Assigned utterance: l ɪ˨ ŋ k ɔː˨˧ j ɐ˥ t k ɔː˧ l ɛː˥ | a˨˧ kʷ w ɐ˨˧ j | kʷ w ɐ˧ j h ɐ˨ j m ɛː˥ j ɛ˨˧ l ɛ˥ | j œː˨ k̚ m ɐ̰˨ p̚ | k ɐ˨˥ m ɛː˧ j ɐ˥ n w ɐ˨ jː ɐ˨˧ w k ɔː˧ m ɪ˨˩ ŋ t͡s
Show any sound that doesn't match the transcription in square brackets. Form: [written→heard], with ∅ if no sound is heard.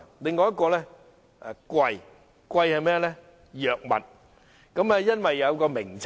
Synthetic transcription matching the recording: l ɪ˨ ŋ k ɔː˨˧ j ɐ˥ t k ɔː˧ l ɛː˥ | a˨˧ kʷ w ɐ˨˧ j | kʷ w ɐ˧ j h ɐ˨ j m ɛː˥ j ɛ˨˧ l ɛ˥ | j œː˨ k̚ m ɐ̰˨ [p̚→t̚] | k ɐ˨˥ m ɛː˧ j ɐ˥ n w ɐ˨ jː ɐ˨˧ w k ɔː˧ m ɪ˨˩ ŋ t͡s